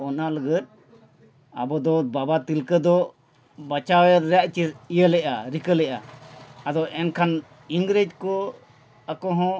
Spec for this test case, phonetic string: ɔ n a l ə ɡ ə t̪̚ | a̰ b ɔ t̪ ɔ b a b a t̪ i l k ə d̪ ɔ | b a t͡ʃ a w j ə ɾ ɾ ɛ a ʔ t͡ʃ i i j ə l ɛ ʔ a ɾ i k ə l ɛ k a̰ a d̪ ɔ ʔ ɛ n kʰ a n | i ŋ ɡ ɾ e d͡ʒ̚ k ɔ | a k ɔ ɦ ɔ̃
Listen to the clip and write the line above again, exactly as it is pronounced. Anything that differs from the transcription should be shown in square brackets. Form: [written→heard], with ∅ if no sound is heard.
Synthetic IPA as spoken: ɔ n a l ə ɡ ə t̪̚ | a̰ b ɔ [t̪→d̪] ɔ b a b a t̪ i l k ə d̪ ɔ | b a t͡ʃ a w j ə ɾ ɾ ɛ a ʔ t͡ʃ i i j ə l ɛ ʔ a ɾ i k ə l ɛ [k→ʔ] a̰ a d̪ ɔ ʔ ɛ n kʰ a n | i ŋ ɡ ɾ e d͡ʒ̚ k ɔ | a k ɔ ɦ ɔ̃